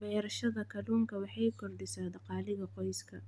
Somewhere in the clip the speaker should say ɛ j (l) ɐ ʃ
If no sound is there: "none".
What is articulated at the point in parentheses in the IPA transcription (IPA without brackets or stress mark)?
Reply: ɾ